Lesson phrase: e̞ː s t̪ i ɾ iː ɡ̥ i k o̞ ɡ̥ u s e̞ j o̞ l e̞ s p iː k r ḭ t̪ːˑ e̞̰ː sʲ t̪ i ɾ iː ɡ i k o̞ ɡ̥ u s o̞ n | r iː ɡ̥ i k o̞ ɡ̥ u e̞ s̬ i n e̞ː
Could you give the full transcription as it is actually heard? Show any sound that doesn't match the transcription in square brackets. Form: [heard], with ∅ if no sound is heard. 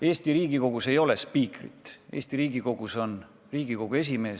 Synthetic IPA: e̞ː s t̪ i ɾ iː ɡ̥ i k o̞ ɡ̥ u s e̞ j o̞ l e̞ s p iː k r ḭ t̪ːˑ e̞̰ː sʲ t̪ i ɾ iː ɡ i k o̞ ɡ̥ u s o̞ n | r iː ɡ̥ i k o̞ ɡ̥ u e̞ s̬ i [m] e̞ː

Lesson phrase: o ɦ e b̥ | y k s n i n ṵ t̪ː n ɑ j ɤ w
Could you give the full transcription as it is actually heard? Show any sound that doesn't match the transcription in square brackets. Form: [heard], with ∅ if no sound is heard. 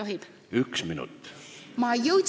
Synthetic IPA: o ɦ [i] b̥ | y k s [m] i n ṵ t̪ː [m] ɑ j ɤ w

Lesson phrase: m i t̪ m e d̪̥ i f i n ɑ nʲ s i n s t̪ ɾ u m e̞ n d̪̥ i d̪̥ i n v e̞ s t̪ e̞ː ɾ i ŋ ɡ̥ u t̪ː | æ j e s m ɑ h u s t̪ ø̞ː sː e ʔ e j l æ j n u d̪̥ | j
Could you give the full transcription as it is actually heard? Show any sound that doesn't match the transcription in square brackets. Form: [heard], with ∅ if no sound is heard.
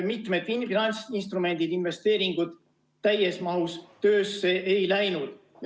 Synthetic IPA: m i t̪ m e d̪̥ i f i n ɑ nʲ s i n s t̪ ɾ u m e̞ n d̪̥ i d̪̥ i n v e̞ s t̪ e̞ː ɾ i ŋ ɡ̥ u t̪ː | æ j e s m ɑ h u s t̪ ø̞ː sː e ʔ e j l æ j n u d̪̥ | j

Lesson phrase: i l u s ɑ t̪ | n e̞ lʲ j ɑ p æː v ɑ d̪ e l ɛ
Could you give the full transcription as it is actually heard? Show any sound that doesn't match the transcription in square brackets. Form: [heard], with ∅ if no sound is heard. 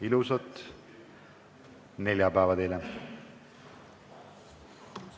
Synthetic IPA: i l u s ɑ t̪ | n e̞ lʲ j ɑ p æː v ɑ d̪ e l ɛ

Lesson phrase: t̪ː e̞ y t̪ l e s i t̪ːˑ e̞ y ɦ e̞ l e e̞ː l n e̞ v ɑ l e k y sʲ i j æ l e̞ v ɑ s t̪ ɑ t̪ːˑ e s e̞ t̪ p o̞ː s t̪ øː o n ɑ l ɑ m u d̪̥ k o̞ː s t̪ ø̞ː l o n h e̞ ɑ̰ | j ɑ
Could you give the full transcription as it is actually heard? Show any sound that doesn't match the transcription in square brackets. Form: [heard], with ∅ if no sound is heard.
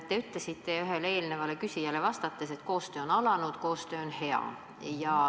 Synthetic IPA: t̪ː e̞ y t̪ l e s i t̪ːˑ e̞ y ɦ e̞ l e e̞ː l n e̞ v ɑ l e k y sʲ i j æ l e̞ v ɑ s t̪ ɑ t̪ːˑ e s e̞ t̪ [k] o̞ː s t̪ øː o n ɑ l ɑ [n] u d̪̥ k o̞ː s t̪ ø̞ː [∅] o n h e̞ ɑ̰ | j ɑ

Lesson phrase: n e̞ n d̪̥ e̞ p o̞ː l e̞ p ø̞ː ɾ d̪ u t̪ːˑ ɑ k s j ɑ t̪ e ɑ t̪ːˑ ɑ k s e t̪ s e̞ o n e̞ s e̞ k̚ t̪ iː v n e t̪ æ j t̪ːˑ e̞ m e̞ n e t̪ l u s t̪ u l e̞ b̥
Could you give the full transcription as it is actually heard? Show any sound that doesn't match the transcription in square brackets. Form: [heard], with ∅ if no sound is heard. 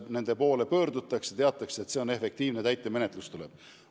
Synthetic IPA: n e̞ n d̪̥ e̞ p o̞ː l e̞ p ø̞ː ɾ d̪ u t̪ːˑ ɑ k s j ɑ t̪ e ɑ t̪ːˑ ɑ k s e t̪ s e̞ o n e̞ [f] e̞ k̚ t̪ iː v n e t̪ æ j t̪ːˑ e̞ m e̞ n e t̪ l u s t̪ u l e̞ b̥

